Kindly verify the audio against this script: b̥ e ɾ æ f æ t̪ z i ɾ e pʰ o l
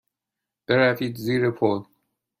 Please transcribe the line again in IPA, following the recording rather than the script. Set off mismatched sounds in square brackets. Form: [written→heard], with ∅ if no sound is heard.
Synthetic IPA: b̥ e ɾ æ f [æ→i] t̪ z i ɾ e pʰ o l